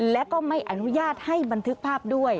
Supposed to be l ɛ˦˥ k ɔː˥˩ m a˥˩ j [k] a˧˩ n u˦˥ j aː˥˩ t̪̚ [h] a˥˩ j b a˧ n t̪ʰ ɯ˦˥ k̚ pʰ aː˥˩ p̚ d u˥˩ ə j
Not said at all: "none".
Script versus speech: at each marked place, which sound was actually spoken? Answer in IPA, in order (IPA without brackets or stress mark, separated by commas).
ʔ, h